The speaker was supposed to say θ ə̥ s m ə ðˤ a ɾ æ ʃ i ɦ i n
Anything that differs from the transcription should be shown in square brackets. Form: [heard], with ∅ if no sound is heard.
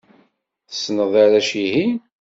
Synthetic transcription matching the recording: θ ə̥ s [n] ə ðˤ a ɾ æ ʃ i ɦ i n